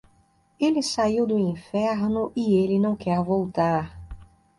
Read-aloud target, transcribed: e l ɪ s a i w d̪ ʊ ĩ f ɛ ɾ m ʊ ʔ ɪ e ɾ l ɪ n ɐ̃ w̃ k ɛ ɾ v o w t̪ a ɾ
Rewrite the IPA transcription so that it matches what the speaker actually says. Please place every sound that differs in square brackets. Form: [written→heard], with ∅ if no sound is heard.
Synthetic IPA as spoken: e l ɪ s a i w d̪ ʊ ĩ f ɛ ɾ [m→n] ʊ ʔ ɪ e [ɾ→∅] l ɪ n ɐ̃ w̃ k ɛ ɾ v o w t̪ a ɾ